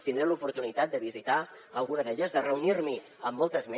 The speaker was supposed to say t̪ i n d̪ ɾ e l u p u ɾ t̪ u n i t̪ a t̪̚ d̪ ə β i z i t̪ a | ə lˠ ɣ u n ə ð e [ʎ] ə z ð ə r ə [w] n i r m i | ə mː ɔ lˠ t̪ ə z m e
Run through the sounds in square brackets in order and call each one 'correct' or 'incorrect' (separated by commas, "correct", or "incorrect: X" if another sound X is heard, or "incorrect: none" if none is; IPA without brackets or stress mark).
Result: correct, incorrect: u